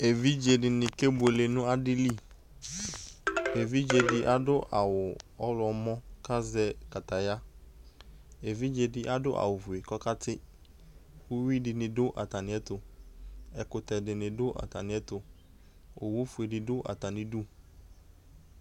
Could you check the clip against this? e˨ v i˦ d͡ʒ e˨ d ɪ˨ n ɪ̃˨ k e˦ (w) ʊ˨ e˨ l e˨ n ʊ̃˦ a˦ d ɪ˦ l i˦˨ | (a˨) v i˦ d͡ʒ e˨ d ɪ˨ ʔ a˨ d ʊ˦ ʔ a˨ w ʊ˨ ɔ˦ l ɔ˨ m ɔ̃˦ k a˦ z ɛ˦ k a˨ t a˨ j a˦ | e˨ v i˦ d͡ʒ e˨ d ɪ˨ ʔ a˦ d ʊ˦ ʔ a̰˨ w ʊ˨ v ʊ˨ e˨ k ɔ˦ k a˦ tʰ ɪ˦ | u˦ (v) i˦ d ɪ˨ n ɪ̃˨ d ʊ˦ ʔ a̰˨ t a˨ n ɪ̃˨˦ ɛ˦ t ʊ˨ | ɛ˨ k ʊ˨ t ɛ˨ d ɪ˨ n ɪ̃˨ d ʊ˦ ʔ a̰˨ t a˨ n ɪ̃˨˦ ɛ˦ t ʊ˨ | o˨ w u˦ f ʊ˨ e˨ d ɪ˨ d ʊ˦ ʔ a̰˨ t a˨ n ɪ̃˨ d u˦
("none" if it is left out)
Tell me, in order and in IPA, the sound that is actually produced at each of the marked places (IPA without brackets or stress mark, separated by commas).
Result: b, e˨, w